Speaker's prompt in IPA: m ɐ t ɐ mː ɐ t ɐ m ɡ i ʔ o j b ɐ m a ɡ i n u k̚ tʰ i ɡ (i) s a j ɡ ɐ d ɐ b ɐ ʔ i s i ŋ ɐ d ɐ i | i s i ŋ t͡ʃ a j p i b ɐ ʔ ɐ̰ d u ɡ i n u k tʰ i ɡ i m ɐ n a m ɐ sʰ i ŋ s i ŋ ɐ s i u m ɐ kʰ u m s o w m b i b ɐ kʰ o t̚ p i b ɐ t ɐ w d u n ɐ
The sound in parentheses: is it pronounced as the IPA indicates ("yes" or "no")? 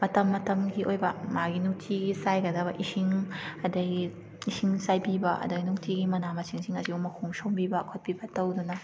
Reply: yes